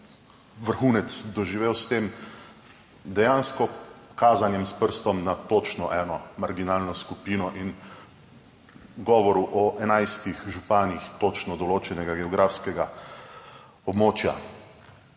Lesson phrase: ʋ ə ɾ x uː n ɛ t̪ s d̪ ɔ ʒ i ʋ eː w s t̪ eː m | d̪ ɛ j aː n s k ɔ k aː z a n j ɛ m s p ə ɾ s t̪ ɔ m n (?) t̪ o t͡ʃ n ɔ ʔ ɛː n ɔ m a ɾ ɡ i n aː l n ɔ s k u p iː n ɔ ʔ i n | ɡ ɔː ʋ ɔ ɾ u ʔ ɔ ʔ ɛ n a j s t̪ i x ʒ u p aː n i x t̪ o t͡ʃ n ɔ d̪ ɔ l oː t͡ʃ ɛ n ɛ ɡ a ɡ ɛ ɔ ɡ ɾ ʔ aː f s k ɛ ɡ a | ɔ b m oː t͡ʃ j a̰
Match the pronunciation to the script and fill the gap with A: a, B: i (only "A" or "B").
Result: A